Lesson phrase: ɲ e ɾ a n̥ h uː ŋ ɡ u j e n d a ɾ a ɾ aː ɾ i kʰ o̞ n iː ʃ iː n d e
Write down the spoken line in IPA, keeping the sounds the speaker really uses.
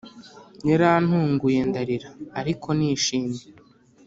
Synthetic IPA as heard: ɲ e ɾ a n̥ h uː ŋ ɡ u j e n d a ɾ i ɾ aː ɾ i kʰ o̞ n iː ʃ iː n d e